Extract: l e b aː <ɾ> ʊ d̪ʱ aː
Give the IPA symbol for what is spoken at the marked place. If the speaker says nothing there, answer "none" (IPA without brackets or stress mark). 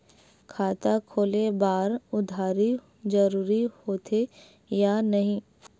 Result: ɾ